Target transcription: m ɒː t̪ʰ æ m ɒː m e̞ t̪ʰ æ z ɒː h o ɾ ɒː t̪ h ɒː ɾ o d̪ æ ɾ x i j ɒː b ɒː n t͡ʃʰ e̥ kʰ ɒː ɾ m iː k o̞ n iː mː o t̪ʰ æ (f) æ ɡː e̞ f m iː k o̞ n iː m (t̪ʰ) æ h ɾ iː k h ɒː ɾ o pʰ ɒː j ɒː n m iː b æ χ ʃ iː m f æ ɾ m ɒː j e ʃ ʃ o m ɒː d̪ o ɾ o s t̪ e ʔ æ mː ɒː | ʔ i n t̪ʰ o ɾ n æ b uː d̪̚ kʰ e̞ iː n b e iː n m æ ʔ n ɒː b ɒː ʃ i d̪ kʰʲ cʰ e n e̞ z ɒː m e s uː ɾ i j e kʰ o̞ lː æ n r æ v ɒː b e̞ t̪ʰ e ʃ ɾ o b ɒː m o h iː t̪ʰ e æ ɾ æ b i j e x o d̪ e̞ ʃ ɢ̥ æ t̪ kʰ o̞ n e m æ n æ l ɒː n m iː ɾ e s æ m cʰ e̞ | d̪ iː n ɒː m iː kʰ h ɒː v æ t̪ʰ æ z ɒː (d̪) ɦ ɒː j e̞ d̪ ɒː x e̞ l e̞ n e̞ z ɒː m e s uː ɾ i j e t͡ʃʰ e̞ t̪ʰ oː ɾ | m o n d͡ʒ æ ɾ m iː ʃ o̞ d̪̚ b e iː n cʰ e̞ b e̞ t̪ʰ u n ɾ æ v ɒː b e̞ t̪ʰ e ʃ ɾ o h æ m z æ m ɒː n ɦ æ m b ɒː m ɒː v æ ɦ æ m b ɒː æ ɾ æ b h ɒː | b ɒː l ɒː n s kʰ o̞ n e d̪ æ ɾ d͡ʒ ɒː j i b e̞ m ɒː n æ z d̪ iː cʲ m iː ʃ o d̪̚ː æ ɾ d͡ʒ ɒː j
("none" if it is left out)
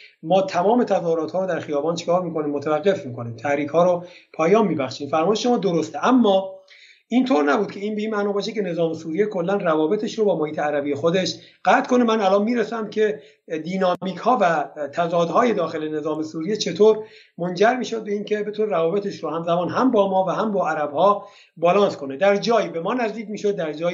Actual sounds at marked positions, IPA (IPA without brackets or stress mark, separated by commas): v, t̪ʰ, d̪